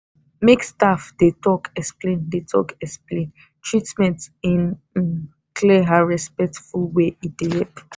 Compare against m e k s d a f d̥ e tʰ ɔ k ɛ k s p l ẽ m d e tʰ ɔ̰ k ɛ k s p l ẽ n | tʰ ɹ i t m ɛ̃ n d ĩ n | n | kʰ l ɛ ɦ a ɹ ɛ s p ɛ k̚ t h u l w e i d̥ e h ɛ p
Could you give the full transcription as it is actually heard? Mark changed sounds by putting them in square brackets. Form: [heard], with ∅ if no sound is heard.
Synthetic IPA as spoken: m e k s [t] a f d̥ e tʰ ɔ k ɛ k s p l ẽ [n] d e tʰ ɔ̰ k ɛ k s p l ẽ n | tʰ ɹ i t m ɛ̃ n [t] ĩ n | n | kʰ l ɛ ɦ a ɹ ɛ s p ɛ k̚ t [f] u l w e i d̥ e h ɛ p